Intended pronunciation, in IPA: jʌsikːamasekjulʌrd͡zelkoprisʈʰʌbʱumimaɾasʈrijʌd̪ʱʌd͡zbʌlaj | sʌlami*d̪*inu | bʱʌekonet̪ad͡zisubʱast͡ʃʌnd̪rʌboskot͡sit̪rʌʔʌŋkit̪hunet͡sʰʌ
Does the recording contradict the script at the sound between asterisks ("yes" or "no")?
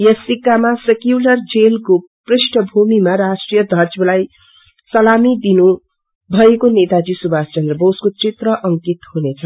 no